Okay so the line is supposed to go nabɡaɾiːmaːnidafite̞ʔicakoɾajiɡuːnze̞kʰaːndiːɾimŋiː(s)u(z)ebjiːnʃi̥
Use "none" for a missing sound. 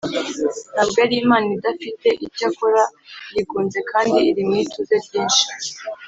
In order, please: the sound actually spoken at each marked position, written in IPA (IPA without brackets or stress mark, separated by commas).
t, z